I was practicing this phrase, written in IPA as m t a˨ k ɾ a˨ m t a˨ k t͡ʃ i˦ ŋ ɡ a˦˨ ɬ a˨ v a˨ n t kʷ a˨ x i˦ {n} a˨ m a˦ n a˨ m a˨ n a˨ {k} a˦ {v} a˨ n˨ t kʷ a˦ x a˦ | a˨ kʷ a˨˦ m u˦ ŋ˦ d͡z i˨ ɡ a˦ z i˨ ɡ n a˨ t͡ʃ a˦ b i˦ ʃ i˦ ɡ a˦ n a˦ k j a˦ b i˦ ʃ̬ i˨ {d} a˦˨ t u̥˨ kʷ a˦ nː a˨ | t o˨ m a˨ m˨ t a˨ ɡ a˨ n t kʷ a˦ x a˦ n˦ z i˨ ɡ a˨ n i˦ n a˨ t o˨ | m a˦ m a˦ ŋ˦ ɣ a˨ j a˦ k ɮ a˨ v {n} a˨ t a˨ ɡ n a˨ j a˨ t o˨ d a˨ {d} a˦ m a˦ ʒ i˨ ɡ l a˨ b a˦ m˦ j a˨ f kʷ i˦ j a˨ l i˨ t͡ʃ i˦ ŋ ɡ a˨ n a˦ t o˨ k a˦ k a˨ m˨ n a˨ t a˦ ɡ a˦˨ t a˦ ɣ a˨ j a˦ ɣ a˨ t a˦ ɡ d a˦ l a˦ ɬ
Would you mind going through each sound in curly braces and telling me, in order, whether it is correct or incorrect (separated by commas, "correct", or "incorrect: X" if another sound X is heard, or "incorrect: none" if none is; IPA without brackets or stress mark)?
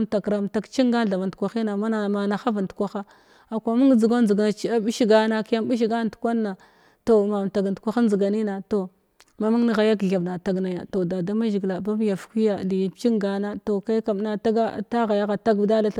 correct, incorrect: x, correct, incorrect: ɡ, correct, correct